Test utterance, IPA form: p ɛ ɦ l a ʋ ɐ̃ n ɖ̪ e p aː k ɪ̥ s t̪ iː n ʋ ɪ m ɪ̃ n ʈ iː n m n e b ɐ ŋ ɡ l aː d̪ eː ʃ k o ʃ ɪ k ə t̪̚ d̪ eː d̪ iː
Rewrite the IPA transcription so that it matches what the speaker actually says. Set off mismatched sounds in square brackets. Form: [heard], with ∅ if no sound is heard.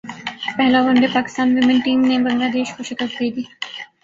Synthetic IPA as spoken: p ɛ ɦ l a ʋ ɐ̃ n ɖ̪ e p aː k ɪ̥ s t̪ [aː] n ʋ ɪ m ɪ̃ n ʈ iː [∅] m n e b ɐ ŋ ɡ l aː d̪ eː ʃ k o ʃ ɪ k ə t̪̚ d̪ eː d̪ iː